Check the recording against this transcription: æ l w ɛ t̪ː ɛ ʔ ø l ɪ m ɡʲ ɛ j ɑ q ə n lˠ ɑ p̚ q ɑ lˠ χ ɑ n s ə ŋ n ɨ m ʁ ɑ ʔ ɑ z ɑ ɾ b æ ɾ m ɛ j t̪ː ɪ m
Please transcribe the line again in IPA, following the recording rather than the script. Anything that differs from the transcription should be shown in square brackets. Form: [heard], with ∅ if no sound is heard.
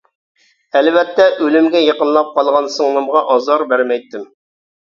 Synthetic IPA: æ l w ɛ t̪ː ɛ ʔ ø l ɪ m ɡʲ ɛ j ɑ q ə n lˠ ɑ p̚ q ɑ lˠ [ʁ] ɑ n s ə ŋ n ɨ m ʁ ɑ ʔ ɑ z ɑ ɾ b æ ɾ m ɛ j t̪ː ɪ m